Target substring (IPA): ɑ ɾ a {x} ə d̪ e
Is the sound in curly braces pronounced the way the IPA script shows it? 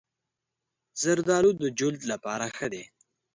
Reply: yes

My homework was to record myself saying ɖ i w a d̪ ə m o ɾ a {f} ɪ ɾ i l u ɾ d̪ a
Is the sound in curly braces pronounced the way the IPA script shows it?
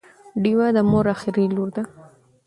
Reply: no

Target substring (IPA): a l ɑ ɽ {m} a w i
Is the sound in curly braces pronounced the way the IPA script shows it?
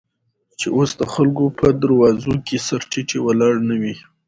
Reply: no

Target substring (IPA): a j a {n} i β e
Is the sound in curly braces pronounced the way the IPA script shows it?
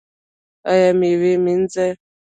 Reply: no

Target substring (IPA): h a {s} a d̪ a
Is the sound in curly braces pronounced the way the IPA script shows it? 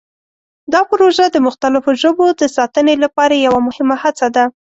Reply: no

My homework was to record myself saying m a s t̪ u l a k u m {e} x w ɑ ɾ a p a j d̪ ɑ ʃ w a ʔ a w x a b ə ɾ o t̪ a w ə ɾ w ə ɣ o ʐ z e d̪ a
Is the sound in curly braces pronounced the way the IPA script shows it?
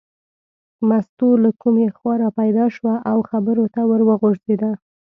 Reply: yes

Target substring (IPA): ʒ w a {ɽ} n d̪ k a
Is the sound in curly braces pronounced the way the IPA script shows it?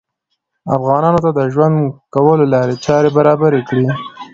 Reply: no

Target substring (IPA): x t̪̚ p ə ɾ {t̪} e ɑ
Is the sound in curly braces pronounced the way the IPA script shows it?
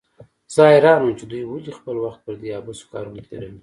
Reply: no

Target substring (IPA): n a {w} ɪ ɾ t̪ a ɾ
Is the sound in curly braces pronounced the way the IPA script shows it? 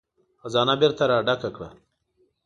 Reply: no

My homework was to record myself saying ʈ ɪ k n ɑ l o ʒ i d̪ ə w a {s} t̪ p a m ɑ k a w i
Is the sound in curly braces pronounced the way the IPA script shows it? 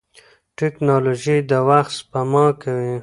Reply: no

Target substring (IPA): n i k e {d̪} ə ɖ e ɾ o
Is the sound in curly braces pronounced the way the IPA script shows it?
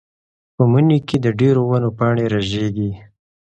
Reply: yes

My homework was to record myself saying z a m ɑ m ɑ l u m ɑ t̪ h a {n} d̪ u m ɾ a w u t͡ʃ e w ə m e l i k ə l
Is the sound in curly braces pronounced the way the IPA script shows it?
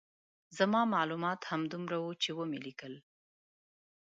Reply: no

